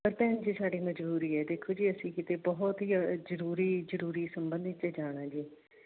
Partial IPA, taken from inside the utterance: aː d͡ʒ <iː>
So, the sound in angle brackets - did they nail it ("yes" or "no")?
yes